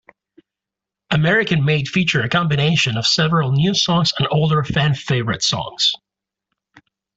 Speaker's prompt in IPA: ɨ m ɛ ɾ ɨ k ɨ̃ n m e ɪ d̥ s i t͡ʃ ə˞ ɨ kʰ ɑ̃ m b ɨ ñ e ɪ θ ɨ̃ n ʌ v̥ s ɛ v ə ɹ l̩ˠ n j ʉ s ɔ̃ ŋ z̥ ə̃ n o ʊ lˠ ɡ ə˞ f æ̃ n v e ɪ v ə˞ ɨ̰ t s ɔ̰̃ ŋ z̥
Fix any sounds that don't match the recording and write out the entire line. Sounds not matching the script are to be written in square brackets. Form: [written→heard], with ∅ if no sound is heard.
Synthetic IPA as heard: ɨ m ɛ [ɾ→ɹ] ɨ k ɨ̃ n m e ɪ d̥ [s→f] i t͡ʃ ə˞ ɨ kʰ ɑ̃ m b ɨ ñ e ɪ [θ→ʃ] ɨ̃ n ʌ v̥ s ɛ v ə ɹ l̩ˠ n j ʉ s ɔ̃ ŋ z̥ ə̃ n o ʊ lˠ [ɡ→d] ə˞ f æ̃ n [v→f] e ɪ v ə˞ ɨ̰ t s ɔ̰̃ ŋ z̥